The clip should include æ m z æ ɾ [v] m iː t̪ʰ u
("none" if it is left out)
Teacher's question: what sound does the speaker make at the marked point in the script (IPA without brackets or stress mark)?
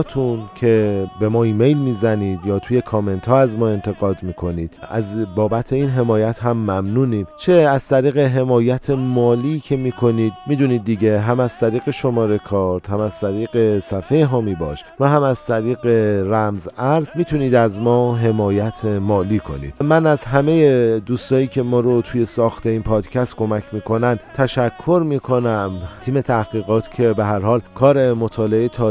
z